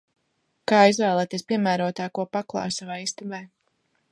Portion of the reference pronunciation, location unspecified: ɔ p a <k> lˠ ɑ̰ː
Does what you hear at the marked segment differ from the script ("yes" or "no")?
no